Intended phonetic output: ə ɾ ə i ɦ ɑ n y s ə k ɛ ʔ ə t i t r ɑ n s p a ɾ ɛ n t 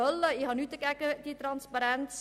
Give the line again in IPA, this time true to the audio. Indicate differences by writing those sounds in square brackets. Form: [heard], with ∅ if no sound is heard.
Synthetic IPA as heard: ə [l] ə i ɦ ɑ n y [t] ə k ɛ [k] ə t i t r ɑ n s p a ɾ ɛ n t